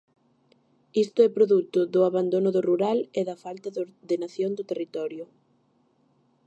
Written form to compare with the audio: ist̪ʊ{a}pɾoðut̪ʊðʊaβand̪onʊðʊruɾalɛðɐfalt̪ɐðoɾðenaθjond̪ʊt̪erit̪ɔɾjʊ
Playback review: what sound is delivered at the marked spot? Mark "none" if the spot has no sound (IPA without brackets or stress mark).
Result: ɛ